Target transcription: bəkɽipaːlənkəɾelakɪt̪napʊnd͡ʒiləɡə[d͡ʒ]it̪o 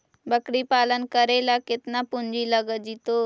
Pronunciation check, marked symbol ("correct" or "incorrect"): correct